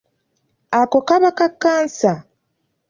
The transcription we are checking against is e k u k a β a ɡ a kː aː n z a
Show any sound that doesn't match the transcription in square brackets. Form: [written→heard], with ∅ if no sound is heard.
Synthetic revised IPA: [e→a] k [u→o] k a β a [ɡ→k] a kː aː n [z→s] a